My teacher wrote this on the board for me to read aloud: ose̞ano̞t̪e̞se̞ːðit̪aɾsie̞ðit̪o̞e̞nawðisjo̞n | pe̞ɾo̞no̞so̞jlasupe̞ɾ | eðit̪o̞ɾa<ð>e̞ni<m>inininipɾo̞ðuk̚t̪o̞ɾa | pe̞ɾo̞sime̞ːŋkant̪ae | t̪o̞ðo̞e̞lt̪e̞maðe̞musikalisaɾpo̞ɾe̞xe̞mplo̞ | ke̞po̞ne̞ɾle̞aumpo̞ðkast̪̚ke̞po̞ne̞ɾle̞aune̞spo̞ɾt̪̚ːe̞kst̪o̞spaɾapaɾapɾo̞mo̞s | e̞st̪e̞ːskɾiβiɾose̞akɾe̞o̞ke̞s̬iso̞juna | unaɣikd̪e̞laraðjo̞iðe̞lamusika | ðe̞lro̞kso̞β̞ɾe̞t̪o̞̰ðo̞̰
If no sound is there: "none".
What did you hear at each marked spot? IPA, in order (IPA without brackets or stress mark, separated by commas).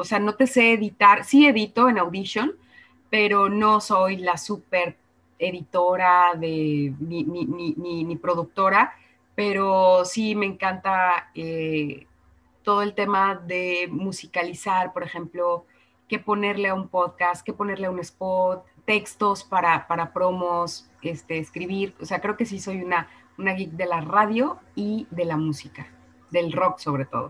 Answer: ð, n